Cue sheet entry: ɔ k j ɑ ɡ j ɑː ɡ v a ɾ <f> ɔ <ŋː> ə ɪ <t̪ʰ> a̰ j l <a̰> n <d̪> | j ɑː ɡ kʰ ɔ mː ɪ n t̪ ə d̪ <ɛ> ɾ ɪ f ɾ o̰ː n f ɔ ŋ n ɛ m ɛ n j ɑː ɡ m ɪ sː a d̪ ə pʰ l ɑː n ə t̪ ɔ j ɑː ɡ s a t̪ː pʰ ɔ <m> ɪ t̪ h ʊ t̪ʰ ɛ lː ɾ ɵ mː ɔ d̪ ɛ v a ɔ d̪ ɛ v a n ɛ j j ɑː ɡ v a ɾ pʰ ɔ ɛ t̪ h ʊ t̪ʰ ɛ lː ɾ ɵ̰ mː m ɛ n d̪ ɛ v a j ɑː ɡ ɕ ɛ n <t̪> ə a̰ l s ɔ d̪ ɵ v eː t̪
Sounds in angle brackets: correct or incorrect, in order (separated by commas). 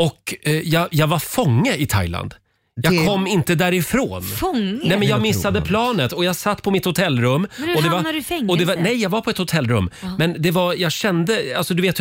correct, correct, correct, correct, correct, incorrect, correct, incorrect